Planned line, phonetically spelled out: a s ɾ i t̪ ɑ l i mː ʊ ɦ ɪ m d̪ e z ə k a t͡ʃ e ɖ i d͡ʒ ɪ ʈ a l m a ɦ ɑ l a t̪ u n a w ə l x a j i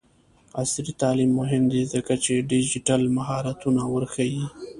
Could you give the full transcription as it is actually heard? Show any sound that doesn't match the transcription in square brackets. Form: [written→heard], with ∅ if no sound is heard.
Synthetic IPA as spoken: a s ɾ i t̪ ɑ l i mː ʊ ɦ ɪ m d̪ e z ə k a t͡ʃ e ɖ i d͡ʒ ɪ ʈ a l m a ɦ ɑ [l→ɾ] a t̪ u n a w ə [l→ɾ] x a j i